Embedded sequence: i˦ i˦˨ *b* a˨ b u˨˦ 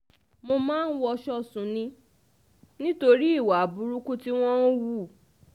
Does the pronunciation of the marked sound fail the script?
yes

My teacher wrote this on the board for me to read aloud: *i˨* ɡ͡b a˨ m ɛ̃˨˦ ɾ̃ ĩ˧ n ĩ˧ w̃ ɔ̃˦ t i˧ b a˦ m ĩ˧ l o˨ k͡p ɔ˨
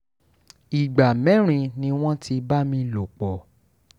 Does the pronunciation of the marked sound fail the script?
no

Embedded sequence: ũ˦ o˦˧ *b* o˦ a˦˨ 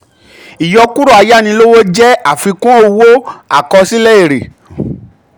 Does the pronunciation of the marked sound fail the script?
yes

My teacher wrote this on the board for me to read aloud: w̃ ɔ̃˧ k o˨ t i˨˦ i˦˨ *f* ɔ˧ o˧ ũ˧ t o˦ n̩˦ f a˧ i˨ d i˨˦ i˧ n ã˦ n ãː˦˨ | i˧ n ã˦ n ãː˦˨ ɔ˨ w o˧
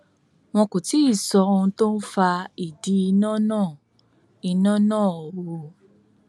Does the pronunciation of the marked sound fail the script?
yes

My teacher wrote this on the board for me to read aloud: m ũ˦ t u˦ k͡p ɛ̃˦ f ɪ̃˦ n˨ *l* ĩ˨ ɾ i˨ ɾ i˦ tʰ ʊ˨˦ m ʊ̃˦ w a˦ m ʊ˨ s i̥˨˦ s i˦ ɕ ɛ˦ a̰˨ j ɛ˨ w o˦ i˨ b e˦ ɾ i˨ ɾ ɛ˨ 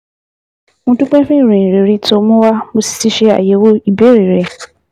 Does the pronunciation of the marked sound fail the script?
yes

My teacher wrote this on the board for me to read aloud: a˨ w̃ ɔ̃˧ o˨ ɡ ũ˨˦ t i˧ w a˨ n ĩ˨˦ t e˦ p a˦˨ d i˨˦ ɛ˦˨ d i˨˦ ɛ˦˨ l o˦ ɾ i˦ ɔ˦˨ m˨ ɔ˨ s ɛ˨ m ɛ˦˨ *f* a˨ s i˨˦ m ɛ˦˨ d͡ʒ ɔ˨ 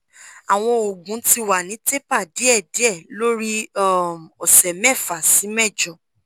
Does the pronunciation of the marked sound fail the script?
no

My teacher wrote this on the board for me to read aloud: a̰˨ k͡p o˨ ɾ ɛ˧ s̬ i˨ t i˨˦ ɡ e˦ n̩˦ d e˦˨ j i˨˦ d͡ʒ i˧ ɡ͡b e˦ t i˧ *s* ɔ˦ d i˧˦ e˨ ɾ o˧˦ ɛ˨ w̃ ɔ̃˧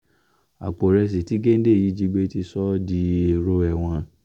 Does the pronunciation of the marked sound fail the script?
no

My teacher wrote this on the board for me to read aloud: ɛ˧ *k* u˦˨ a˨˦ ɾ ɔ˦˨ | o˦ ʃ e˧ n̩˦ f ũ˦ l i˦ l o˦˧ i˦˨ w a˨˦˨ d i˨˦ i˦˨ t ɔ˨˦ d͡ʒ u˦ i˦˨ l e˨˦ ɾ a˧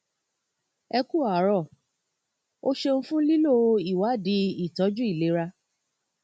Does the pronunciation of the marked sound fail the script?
no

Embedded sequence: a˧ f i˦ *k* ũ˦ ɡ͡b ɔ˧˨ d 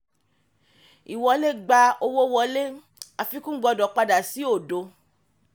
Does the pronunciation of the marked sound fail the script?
no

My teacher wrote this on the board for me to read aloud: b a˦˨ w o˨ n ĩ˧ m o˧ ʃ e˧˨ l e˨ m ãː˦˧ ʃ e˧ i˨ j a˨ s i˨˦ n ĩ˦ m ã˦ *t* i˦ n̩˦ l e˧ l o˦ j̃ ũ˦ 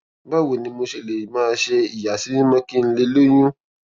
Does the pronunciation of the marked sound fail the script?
yes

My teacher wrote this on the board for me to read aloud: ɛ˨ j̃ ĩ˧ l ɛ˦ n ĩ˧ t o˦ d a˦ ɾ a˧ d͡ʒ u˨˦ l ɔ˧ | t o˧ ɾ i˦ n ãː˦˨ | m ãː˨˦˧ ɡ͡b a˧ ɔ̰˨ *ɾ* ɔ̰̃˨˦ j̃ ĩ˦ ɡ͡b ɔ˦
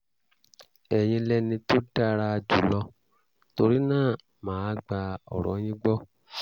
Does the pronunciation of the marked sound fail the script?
no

